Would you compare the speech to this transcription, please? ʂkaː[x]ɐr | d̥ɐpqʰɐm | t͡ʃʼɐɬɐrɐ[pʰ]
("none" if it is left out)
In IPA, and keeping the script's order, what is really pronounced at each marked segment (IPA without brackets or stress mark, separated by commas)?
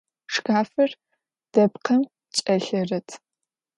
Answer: f, tʰ